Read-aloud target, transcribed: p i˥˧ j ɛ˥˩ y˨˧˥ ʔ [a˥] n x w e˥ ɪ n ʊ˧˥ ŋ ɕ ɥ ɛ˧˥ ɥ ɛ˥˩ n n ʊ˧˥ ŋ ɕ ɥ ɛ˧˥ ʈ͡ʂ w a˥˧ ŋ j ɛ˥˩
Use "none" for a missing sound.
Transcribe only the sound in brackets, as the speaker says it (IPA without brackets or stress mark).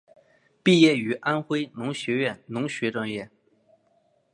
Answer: a˥